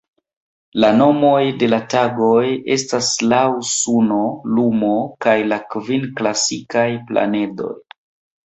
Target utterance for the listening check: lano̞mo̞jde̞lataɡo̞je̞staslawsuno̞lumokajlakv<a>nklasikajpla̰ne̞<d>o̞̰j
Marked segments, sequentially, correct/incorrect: incorrect, correct

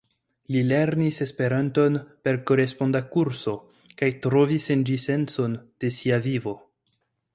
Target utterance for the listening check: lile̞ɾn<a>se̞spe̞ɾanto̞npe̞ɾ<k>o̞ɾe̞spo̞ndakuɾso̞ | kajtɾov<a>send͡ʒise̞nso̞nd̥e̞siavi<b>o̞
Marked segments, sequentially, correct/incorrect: incorrect, correct, incorrect, incorrect

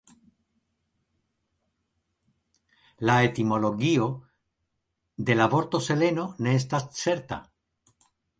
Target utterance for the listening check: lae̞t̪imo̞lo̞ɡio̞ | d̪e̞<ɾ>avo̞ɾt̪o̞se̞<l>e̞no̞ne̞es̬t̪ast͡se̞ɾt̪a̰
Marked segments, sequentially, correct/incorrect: incorrect, correct

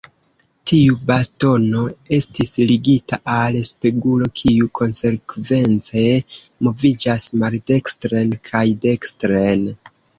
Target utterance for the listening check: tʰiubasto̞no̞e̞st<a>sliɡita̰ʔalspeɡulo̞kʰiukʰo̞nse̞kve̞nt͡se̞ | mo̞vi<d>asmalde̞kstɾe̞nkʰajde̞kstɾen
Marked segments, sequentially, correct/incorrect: incorrect, incorrect

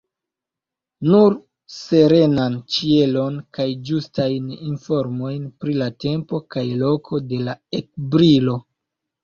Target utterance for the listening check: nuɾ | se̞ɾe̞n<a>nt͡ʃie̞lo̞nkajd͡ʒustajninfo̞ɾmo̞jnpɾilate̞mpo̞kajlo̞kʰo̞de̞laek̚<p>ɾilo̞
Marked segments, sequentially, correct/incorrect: correct, incorrect

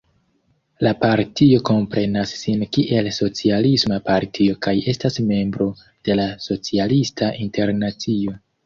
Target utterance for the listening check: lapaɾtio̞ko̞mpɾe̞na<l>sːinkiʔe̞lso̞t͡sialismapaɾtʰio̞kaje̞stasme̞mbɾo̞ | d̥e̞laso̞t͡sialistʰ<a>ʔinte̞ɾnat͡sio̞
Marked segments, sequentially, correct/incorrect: incorrect, correct

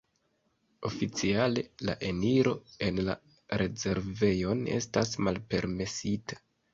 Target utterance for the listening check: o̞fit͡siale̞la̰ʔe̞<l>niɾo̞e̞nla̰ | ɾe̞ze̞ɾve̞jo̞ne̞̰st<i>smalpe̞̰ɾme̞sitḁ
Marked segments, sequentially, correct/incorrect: incorrect, incorrect

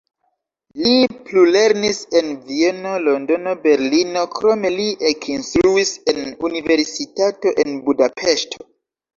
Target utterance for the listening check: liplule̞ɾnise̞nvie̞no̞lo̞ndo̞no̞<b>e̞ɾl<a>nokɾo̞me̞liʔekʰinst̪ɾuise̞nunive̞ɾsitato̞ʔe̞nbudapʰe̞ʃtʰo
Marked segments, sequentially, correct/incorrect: correct, incorrect

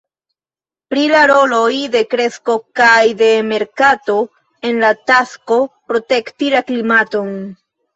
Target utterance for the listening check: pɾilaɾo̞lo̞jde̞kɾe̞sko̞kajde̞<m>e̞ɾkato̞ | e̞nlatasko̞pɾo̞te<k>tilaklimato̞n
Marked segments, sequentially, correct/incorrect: correct, correct

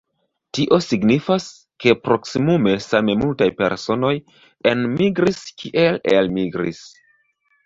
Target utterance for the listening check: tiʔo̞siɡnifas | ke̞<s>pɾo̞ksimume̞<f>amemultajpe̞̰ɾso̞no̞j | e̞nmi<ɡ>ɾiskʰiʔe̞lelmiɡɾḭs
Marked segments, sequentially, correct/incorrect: incorrect, incorrect, correct

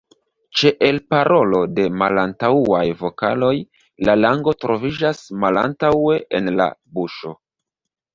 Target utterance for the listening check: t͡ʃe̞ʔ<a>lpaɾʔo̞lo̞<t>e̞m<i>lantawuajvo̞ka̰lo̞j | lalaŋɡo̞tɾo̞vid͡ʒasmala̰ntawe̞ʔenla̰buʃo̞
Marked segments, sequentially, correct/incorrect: incorrect, incorrect, incorrect

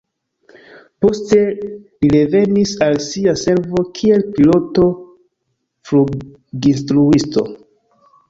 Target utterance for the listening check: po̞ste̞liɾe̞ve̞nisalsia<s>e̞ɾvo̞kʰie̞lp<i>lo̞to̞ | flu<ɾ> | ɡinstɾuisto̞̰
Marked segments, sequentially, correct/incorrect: correct, correct, incorrect

